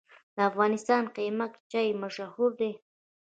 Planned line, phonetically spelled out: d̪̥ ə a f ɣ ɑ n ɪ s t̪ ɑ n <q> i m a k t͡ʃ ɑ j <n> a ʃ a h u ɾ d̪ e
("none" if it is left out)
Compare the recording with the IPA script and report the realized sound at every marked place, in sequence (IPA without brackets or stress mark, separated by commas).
q, m